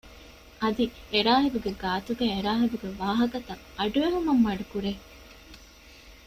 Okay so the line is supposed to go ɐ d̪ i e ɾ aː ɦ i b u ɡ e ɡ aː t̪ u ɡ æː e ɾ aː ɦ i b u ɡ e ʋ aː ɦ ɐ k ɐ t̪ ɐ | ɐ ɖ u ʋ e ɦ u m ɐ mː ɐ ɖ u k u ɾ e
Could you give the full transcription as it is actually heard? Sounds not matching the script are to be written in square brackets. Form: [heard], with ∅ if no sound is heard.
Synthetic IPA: ɐ d̪ i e ɾ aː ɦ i b u ɡ e ɡ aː t̪ u ɡ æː e ɾ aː ɦ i b u ɡ e ʋ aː ɦ ɐ k ɐ t̪ ɐ | ɐ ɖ u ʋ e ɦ u m ɐ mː ɐ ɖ u k u ɾ e